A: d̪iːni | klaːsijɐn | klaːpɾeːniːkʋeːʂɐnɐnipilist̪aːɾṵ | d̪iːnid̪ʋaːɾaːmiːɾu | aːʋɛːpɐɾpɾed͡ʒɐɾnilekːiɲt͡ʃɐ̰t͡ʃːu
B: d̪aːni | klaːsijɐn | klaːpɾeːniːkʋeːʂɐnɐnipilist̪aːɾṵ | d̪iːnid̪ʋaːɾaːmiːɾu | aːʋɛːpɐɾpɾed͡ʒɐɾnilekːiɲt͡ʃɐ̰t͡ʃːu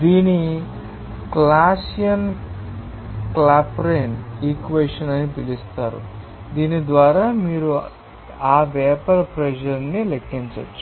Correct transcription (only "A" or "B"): A